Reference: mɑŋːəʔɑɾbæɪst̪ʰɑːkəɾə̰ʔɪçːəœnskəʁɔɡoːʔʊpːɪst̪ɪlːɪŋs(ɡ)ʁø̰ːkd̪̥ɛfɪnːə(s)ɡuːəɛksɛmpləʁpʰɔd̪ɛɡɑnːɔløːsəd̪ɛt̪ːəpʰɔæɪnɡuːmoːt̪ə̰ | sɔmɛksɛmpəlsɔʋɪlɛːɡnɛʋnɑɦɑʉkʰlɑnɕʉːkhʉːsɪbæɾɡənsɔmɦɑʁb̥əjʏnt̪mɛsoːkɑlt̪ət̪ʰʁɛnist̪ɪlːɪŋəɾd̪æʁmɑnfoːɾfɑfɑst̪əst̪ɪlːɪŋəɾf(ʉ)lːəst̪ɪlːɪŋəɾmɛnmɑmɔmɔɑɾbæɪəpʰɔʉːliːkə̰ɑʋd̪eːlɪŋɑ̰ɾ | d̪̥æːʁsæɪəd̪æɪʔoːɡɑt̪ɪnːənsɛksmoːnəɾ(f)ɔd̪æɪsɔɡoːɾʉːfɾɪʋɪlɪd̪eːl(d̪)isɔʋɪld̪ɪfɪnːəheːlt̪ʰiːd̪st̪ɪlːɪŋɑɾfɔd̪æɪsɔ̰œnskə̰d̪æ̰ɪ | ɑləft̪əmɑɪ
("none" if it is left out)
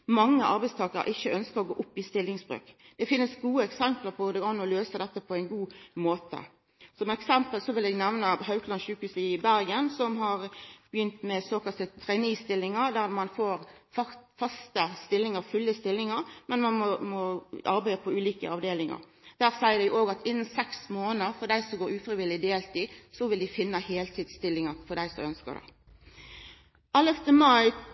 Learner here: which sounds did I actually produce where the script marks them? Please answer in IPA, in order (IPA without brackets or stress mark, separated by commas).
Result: b, s, ʉ, f, t̪